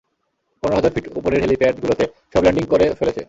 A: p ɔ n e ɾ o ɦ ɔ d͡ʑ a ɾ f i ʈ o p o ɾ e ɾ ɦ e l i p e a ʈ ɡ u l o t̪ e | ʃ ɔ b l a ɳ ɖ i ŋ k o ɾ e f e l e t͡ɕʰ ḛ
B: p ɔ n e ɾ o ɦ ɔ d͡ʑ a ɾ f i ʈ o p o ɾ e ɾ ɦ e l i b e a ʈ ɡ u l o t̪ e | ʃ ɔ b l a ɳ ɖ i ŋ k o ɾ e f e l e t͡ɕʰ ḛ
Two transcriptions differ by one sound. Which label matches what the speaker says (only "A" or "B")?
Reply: A